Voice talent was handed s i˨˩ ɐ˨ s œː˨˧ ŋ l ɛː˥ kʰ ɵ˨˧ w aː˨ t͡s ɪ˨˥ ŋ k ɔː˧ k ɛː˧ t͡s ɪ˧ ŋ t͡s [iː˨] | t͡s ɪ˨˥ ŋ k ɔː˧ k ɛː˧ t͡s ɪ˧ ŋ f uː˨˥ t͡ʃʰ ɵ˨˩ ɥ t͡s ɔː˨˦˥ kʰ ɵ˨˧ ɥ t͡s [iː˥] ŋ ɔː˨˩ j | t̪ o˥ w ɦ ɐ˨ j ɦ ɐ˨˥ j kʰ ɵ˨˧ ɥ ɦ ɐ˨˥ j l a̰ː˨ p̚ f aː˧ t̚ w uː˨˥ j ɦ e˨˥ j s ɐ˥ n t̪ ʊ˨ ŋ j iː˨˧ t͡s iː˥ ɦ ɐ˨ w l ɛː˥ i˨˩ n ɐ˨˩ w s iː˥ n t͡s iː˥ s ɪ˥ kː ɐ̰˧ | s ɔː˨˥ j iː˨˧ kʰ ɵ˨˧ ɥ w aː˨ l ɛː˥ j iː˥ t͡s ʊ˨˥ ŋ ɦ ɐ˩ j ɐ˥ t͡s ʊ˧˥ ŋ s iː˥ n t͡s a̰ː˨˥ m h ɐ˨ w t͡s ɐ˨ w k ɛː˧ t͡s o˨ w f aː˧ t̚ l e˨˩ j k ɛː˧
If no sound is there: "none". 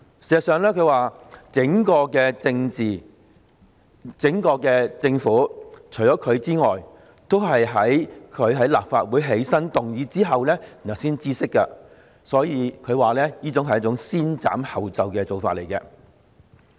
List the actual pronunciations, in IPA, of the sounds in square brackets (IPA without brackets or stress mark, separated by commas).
iː˨, iː˥